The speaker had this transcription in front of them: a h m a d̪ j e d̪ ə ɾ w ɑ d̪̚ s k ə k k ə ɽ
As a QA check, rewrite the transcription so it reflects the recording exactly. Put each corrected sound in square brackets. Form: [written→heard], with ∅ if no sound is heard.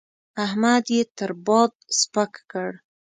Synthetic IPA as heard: a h m a d̪ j e [d̪→t̪] ə ɾ [w→b] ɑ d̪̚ s [k→p] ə k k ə ɽ